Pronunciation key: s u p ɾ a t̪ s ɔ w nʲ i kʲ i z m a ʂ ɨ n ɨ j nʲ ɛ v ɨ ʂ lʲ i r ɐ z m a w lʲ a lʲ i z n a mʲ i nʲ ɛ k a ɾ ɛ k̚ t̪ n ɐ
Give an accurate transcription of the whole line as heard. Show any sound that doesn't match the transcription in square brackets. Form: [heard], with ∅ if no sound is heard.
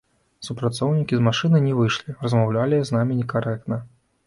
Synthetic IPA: s u p ɾ a t̪ s ɔ w nʲ i kʲ i z m a ʂ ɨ n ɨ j nʲ ɛ v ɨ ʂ lʲ i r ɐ z m a w lʲ a lʲ i z n a mʲ i nʲ ɛ k a ɾ ɛ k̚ t̪ n ɐ